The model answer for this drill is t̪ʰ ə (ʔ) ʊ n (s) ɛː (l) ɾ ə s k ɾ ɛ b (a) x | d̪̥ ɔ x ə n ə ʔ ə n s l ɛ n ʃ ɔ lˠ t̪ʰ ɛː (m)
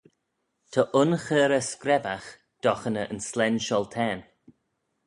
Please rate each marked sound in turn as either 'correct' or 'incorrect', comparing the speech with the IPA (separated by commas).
correct, incorrect, incorrect, correct, incorrect